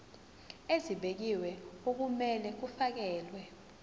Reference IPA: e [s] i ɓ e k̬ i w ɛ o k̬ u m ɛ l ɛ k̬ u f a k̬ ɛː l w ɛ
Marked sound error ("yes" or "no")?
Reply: yes